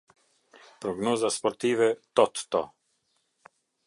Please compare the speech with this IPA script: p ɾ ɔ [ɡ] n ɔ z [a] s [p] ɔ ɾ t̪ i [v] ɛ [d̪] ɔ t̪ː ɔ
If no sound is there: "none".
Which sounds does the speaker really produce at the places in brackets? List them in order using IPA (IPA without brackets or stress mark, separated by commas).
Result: ɡ, a, p, v, t̪